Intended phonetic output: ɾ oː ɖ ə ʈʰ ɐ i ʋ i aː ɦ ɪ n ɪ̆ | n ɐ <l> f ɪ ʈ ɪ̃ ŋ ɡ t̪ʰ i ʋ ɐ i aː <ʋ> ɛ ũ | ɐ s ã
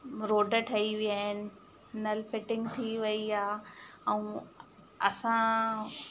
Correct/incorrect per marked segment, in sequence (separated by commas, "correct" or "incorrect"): correct, incorrect